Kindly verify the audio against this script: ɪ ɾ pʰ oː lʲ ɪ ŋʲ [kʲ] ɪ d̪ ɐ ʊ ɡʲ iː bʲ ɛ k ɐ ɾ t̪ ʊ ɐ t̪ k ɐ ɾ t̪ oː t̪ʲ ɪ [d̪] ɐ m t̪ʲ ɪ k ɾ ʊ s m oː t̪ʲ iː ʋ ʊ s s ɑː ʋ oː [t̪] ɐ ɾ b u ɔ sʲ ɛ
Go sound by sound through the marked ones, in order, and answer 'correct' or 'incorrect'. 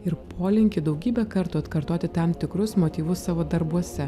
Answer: correct, incorrect, incorrect

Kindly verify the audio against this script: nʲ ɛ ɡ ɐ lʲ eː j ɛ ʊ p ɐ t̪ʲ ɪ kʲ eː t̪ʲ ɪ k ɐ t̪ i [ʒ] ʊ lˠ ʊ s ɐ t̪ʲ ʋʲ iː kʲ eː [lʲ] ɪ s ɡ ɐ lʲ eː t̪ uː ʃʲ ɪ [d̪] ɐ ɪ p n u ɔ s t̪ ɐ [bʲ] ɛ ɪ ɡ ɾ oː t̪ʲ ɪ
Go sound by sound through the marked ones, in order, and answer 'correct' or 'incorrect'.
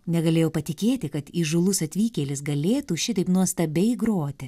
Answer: correct, correct, incorrect, correct

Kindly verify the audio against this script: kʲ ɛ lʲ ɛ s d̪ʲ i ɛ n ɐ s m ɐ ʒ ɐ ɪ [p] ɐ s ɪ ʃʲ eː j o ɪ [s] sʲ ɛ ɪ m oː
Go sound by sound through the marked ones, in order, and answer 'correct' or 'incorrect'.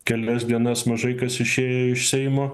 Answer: incorrect, incorrect

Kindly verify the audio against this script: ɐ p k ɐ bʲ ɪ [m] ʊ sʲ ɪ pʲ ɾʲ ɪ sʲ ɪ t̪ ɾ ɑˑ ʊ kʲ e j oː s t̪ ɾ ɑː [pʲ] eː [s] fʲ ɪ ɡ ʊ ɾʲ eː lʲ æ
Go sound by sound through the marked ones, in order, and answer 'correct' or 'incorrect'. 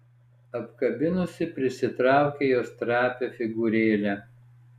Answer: incorrect, correct, incorrect

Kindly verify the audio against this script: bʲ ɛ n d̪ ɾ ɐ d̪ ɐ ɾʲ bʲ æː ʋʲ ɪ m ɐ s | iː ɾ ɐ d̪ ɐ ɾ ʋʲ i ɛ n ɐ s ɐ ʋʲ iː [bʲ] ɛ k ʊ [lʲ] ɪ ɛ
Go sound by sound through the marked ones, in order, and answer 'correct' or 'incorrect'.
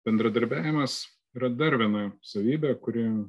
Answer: correct, incorrect

